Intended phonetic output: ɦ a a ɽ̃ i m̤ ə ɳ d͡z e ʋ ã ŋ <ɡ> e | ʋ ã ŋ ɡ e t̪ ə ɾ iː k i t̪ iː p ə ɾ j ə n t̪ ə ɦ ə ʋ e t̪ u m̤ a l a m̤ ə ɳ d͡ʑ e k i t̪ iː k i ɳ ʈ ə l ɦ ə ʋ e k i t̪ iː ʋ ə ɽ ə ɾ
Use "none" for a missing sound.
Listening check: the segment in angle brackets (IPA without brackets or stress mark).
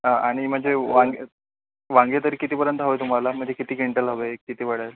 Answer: ɡ